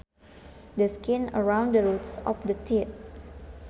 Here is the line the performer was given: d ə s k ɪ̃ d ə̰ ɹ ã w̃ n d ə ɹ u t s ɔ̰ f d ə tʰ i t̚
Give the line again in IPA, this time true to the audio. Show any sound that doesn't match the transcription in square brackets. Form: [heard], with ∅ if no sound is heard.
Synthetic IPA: d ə s k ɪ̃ [n] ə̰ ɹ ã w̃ n d ə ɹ u t s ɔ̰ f d ə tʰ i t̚